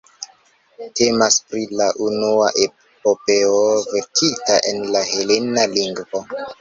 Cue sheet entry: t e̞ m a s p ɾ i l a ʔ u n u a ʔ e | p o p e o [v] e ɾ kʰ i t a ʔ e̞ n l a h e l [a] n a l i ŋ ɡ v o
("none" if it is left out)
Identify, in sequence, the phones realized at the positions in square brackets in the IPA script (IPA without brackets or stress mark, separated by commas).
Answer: v, e